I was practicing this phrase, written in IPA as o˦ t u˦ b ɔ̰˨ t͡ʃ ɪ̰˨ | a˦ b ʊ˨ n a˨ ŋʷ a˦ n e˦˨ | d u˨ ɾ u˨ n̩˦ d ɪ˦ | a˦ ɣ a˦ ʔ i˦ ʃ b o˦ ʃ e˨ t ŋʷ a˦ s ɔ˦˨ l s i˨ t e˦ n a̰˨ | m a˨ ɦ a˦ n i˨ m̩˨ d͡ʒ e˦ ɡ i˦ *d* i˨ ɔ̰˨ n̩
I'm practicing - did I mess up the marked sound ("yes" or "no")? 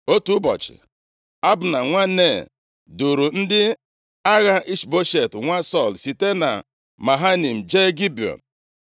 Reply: yes